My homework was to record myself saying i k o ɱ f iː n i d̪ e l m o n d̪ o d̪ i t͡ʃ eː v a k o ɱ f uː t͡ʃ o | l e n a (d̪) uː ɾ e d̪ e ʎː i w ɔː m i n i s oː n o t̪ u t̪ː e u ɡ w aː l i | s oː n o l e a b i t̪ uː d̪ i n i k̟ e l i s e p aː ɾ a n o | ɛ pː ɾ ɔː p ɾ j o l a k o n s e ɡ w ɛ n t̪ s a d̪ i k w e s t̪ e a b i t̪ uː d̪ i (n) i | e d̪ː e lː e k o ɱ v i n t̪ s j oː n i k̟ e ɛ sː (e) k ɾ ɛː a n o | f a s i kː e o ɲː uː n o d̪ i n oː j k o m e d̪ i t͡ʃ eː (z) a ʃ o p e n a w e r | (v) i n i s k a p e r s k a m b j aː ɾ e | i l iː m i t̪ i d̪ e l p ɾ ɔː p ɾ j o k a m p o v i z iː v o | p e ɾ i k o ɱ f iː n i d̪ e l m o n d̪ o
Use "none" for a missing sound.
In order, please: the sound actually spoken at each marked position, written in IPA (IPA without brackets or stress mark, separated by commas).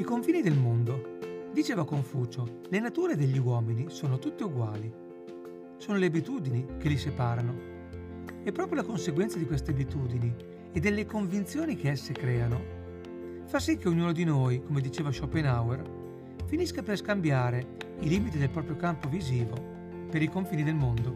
t̪, n, e, v, f